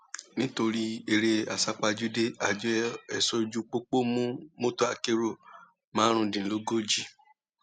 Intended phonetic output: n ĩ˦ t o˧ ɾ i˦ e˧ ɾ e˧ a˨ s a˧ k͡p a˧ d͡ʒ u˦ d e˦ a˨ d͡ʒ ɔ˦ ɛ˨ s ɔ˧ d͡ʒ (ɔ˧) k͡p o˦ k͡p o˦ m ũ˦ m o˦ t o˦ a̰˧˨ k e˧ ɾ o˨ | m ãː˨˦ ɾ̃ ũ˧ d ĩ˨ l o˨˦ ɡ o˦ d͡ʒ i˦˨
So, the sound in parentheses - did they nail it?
no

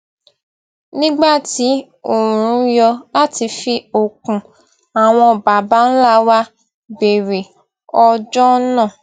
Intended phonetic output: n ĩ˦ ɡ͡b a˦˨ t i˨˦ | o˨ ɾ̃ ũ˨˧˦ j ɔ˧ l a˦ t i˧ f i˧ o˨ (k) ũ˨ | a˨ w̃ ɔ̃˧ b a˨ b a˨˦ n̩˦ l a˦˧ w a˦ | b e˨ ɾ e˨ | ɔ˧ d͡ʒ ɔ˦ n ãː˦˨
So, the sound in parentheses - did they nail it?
yes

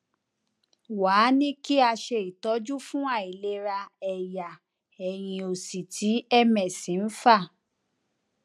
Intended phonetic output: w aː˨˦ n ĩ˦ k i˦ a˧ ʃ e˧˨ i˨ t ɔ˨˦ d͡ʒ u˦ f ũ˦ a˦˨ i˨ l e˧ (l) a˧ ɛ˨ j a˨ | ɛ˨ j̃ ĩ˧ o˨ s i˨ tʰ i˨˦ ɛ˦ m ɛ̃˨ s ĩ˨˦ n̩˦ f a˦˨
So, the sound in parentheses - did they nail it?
no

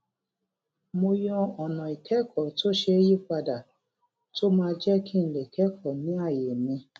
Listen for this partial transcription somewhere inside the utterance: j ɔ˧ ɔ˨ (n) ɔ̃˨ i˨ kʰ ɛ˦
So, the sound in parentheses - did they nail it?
yes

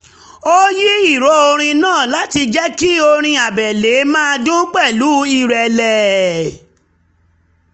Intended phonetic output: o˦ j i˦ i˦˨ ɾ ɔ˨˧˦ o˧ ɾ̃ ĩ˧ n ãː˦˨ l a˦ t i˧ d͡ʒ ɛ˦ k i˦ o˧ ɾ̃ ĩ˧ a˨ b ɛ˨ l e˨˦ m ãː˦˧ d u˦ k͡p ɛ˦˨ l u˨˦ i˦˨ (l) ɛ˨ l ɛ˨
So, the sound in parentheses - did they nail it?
no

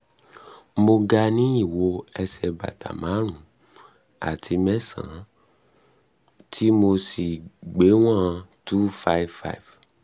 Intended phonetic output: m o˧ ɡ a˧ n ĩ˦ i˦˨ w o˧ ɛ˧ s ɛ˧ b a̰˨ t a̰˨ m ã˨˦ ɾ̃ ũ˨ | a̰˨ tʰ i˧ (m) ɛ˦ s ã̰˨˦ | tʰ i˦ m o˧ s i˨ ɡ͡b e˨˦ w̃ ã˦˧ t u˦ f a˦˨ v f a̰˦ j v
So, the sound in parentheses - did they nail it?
yes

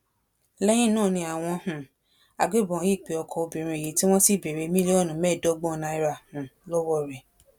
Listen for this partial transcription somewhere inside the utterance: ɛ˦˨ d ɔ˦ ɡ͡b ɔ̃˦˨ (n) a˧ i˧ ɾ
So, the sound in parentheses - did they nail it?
yes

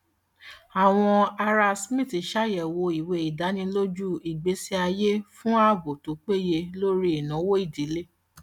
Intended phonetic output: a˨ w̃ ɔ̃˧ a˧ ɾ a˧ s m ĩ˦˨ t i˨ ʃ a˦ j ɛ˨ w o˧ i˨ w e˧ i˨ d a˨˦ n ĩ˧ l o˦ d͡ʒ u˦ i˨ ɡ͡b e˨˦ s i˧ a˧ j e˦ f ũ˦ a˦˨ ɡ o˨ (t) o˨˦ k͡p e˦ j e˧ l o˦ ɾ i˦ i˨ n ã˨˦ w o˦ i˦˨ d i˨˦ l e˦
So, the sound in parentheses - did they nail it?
yes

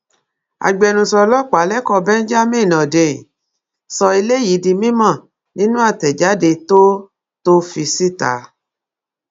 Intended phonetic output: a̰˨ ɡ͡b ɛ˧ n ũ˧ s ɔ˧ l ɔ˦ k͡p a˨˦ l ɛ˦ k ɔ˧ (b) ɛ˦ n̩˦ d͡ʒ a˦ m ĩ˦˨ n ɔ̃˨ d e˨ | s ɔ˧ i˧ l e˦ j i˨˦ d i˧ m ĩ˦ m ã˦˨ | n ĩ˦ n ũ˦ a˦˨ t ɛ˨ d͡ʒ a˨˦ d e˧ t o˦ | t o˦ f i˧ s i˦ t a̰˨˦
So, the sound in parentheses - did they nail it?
yes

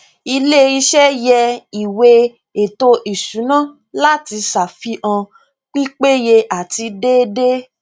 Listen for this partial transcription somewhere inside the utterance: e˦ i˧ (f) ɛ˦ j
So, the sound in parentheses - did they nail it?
no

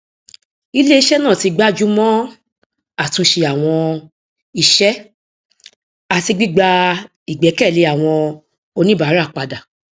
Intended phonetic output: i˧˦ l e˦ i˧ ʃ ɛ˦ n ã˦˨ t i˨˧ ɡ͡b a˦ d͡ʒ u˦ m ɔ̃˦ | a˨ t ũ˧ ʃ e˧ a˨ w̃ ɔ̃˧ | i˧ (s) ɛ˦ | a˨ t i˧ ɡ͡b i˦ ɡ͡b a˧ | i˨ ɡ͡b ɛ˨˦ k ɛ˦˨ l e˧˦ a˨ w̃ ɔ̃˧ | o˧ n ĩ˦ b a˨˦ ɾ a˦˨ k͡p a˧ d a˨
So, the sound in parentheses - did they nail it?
no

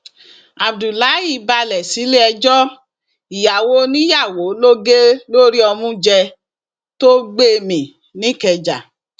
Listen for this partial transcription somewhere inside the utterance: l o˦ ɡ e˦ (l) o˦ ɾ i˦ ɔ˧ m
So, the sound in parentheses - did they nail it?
yes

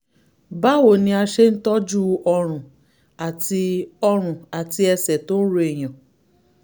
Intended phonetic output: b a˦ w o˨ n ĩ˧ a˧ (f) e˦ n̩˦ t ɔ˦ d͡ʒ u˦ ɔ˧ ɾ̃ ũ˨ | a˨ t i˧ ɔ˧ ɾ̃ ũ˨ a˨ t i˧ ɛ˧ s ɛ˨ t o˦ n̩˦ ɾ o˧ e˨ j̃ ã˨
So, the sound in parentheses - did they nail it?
no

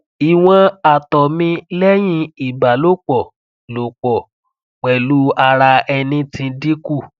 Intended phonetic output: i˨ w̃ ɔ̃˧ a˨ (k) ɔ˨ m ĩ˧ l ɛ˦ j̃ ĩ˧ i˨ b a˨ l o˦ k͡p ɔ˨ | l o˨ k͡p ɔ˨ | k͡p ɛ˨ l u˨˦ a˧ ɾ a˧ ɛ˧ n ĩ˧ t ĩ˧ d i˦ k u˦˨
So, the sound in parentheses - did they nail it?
no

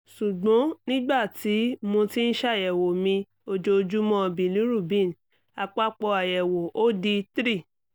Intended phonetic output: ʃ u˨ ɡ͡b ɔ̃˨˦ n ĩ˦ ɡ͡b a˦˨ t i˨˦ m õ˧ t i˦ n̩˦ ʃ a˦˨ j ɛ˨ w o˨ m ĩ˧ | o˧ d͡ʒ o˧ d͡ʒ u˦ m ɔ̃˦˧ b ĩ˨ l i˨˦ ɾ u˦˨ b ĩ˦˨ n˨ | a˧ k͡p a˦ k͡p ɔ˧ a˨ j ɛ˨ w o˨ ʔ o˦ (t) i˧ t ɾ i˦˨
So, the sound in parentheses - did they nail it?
no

